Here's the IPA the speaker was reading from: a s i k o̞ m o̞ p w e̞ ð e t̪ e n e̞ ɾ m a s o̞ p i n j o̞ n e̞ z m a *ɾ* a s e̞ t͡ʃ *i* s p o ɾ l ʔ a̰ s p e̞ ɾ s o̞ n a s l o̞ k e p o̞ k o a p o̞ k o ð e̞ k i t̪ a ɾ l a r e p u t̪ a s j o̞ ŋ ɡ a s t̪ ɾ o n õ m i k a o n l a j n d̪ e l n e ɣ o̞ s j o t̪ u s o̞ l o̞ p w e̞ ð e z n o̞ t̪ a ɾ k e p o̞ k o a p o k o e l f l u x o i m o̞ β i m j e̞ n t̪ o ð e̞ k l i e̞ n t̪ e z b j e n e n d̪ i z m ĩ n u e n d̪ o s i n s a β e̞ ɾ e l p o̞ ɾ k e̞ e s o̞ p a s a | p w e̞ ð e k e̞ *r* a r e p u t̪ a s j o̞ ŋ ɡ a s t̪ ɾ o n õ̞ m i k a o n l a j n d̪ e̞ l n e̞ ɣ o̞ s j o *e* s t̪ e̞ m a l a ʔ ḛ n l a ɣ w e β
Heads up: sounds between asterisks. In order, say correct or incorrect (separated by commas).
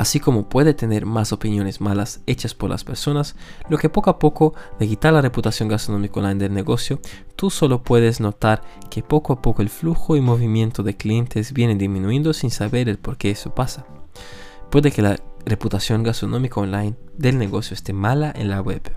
incorrect, incorrect, incorrect, correct